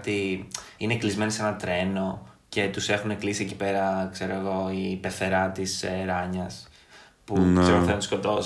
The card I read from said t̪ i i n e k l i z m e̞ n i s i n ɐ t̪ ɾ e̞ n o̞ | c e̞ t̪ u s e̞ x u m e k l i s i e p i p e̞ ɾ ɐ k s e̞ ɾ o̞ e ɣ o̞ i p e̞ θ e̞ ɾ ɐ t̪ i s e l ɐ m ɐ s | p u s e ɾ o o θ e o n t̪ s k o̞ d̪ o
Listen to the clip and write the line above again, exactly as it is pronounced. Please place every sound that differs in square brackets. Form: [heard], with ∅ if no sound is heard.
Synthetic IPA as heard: t̪ i i n e k l i z m e̞ n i s [e] n ɐ t̪ ɾ e̞ n o̞ | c e̞ t̪ u s e̞ x u [n] e k l i s i e [c] i p e̞ ɾ ɐ k s e̞ ɾ o̞ e ɣ o̞ i p e̞ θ e̞ ɾ ɐ t̪ i s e [ɾ] ɐ [ɲ] ɐ s | p u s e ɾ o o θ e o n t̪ s k o̞ [t̪] o